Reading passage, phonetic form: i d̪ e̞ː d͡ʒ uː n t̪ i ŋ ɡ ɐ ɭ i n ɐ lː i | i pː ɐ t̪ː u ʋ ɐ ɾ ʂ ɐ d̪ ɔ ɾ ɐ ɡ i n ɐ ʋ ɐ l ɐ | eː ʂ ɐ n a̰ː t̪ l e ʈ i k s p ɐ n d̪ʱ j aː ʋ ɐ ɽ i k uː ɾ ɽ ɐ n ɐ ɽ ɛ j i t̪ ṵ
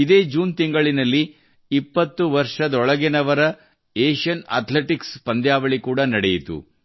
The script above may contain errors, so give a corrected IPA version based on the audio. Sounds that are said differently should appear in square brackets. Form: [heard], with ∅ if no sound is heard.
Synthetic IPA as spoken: i d̪ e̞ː d͡ʒ uː n t̪ i ŋ ɡ ɐ ɭ i n ɐ lː i | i pː ɐ t̪ː u ʋ ɐ ɾ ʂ ɐ d̪ ɔ [ɭ] ɐ ɡ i n ɐ ʋ ɐ [ɾ] ɐ | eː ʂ ɐ n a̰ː t̪ l e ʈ i k s p ɐ n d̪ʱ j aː ʋ ɐ [ɭ] i k uː [∅] ɽ ɐ n ɐ ɽ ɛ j i t̪ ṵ

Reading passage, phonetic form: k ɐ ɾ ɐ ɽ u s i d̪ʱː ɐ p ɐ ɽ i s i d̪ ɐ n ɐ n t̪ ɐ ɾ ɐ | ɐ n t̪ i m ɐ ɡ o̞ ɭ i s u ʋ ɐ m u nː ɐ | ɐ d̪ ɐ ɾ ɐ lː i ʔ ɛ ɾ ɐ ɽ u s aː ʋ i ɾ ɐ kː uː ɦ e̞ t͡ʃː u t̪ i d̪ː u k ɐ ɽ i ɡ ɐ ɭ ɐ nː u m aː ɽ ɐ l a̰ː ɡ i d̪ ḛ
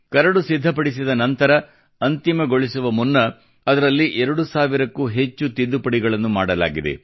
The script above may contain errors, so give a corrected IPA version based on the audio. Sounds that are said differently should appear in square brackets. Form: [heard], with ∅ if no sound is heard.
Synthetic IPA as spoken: k ɐ ɾ ɐ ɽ u s i d̪ʱː ɐ p ɐ ɽ i s i d̪ ɐ n ɐ n t̪ ɐ ɾ ɐ | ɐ n t̪ i m ɐ ɡ o̞ ɭ i s u ʋ ɐ m u nː ɐ | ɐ d̪ ɐ ɾ ɐ lː i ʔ ɛ ɾ ɐ ɽ u s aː ʋ i ɾ ɐ kː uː ɦ e̞ t͡ʃː u t̪ i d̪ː u [p] ɐ ɽ i ɡ ɐ ɭ ɐ nː u m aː ɽ ɐ l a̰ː ɡ i d̪ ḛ

